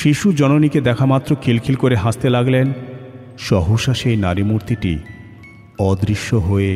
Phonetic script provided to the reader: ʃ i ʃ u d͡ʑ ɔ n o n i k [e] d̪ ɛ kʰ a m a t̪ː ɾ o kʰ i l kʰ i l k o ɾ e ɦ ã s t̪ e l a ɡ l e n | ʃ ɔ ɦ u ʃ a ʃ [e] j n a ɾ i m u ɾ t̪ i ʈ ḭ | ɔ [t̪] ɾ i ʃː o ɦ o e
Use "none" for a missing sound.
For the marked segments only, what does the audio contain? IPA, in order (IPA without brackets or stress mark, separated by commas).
e, e, d̪